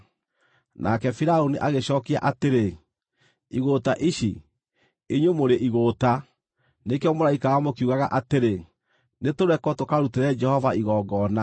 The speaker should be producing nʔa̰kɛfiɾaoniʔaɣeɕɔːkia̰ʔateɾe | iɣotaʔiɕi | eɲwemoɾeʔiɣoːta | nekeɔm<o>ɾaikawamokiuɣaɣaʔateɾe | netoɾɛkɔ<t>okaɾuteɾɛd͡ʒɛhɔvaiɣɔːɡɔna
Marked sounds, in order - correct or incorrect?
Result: correct, correct

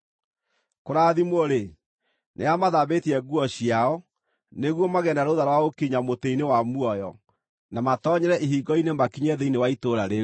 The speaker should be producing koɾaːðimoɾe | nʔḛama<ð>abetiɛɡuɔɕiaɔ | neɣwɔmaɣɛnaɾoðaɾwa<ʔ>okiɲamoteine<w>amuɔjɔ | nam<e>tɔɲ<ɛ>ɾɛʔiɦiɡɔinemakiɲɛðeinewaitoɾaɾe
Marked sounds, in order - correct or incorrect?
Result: correct, incorrect: none, correct, incorrect: a, correct

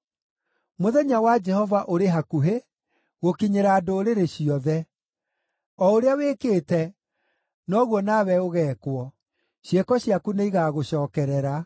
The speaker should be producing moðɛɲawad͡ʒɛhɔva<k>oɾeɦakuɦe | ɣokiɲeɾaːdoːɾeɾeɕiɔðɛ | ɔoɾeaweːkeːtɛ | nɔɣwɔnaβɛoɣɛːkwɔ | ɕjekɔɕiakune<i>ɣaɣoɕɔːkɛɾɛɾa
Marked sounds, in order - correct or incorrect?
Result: incorrect: ʔ, correct

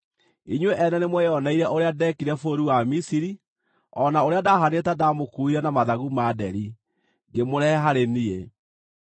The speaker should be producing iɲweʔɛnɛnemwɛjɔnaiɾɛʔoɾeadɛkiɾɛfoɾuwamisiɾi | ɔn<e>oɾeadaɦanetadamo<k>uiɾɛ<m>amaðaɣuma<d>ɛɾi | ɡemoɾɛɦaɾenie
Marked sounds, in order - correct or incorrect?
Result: incorrect: a, correct, incorrect: n, correct

